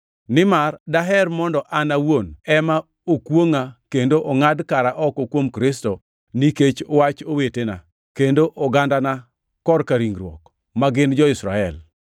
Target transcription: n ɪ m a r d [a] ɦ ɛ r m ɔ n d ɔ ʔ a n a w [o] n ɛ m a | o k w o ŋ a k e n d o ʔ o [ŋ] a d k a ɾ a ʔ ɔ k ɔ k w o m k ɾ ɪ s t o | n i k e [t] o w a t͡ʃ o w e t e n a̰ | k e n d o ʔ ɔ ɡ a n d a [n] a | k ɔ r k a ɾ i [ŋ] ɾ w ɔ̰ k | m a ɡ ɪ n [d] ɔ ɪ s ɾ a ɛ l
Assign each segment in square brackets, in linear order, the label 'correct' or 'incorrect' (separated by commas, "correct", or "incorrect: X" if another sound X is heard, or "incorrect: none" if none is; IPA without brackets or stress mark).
correct, correct, correct, incorrect: t͡ʃ, correct, correct, incorrect: d͡ʒ